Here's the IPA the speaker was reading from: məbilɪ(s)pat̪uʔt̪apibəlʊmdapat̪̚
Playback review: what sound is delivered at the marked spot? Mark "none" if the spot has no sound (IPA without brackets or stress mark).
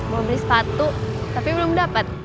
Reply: s